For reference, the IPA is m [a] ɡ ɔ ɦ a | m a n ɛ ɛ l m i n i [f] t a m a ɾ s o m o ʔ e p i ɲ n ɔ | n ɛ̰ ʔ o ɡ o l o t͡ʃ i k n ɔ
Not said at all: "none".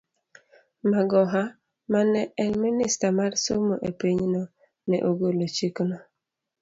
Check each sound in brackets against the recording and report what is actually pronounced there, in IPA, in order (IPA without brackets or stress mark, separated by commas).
a, s